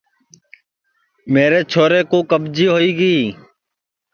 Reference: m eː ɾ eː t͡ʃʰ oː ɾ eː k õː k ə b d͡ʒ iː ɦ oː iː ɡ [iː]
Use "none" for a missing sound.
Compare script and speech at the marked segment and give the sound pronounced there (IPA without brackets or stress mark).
iː